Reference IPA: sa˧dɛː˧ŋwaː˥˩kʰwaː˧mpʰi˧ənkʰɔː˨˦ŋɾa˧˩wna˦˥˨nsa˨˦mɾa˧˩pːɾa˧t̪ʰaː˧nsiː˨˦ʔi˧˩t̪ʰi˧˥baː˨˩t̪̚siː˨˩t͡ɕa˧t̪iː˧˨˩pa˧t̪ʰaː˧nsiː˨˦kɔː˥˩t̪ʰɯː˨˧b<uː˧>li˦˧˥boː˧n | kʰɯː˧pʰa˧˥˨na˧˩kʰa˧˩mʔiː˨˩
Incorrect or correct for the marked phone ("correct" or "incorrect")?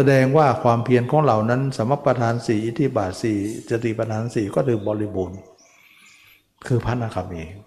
incorrect